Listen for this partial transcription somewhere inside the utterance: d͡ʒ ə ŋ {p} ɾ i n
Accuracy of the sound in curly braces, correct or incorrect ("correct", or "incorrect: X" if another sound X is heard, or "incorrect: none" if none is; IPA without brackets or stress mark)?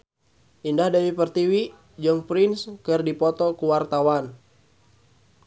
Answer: correct